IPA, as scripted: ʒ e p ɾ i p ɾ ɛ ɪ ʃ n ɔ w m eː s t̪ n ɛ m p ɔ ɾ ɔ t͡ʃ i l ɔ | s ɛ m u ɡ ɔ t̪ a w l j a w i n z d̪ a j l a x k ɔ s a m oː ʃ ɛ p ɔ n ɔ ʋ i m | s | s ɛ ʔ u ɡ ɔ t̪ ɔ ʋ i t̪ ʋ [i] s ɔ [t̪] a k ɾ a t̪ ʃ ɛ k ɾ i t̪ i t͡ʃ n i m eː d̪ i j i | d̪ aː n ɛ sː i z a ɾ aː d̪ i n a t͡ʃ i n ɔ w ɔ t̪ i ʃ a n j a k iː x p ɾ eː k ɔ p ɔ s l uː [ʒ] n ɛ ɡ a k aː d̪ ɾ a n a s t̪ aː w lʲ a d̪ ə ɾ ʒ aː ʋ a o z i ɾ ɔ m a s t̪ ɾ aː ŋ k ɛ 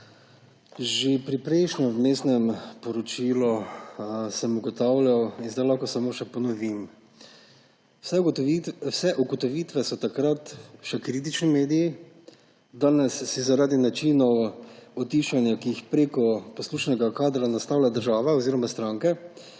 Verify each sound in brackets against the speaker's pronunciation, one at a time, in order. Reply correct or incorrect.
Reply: incorrect: ɛ, correct, incorrect: ʃ

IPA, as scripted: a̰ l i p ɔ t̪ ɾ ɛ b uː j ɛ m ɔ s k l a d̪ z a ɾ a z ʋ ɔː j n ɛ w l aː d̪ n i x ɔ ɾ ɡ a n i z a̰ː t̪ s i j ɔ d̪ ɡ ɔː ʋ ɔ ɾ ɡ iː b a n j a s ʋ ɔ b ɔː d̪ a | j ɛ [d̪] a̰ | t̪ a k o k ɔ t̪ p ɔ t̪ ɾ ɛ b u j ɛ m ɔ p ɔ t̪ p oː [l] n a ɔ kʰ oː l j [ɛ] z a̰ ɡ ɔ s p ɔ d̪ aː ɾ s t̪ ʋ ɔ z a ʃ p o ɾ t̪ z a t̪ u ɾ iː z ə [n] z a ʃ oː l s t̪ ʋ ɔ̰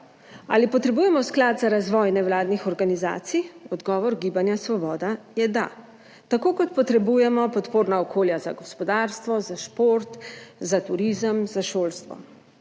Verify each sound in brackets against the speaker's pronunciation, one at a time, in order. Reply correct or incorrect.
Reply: correct, incorrect: ɾ, incorrect: a, incorrect: m

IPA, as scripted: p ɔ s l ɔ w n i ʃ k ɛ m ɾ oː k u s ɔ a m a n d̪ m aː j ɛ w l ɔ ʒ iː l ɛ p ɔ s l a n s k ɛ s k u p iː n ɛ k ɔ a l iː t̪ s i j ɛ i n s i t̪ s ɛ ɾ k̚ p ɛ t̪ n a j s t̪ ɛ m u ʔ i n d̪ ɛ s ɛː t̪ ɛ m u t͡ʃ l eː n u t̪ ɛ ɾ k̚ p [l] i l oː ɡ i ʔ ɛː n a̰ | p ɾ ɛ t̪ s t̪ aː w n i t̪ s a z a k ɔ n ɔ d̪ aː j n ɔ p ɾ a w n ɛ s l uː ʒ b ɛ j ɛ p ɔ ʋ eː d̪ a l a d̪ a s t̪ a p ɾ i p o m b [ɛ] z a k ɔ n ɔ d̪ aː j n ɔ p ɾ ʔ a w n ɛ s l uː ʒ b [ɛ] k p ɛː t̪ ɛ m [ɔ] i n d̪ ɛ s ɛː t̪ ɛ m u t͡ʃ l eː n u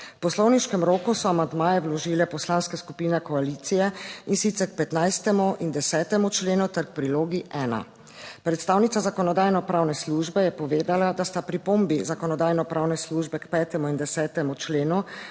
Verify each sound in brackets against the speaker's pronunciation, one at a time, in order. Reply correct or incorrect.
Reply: incorrect: ɾ, incorrect: i, correct, incorrect: u

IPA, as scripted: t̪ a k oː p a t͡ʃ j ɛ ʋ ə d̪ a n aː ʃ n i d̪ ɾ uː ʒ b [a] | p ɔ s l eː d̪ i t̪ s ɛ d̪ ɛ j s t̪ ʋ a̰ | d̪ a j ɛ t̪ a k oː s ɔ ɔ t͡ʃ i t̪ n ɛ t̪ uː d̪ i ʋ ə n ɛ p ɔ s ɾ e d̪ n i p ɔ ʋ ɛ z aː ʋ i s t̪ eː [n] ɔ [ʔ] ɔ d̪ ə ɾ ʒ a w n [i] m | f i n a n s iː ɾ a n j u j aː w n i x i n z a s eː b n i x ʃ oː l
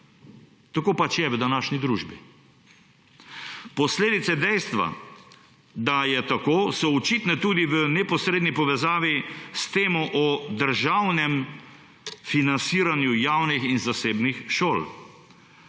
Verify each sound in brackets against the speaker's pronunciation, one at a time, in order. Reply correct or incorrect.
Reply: incorrect: i, incorrect: m, correct, incorrect: ɛ

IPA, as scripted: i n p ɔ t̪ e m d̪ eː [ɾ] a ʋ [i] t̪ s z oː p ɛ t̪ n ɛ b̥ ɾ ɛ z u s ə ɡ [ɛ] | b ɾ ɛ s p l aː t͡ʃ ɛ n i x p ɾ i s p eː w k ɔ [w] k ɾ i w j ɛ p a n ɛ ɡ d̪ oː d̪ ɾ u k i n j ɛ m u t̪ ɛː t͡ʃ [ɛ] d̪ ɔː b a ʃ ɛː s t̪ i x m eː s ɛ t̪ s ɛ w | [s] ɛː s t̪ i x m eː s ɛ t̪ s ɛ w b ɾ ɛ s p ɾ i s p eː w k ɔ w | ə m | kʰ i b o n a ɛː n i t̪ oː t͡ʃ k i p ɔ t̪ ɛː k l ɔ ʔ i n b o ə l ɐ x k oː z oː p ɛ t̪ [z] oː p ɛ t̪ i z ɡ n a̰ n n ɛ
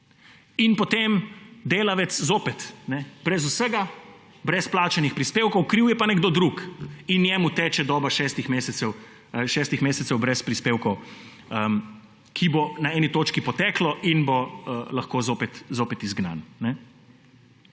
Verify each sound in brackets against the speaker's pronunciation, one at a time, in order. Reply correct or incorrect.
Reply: incorrect: l, incorrect: ɛ, incorrect: a, correct, correct, incorrect: ʃ, correct

